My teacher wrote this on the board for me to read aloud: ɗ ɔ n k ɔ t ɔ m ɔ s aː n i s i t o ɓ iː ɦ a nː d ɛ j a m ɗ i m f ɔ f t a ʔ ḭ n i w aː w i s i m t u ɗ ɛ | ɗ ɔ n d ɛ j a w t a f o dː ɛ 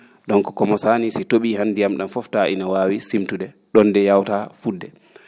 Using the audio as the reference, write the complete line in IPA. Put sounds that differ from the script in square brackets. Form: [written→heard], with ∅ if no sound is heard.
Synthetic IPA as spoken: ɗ ɔ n k ɔ [t→k] ɔ m ɔ s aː n i s i t o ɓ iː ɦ a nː d [ɛ→i] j a m ɗ [i→a] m f ɔ f t a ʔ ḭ n [i→a] w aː w i s i m t u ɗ ɛ | ɗ ɔ n d ɛ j a w t a f [o→u] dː ɛ